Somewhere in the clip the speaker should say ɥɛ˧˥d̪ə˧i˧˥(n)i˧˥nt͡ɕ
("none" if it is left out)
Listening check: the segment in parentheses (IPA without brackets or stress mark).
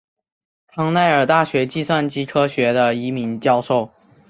m